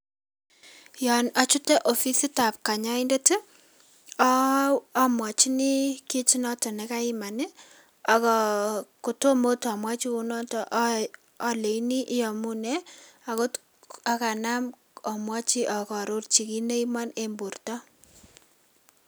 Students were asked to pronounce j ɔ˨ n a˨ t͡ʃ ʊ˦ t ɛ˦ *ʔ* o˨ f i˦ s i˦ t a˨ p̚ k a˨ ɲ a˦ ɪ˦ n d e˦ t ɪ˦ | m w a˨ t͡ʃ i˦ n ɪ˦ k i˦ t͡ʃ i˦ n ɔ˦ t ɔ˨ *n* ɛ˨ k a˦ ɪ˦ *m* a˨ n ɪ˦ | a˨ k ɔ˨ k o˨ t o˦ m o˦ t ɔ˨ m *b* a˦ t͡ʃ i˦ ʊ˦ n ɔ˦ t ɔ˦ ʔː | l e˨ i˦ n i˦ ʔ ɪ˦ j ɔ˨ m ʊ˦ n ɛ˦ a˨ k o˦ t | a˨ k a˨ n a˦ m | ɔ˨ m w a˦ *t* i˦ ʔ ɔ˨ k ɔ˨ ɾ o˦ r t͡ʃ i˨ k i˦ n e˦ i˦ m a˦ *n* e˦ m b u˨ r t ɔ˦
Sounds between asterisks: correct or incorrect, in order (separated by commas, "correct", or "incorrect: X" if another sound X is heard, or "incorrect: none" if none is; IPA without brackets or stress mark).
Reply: correct, correct, correct, incorrect: w, incorrect: t͡ʃ, correct